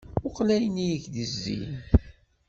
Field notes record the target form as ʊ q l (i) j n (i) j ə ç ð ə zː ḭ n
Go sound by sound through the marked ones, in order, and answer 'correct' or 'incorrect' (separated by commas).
incorrect, correct